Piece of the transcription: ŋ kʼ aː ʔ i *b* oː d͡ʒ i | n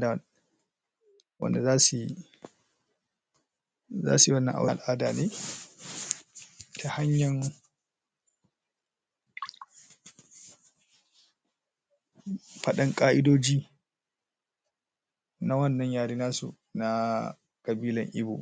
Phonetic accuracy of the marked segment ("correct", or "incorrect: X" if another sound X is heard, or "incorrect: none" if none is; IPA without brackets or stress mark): incorrect: d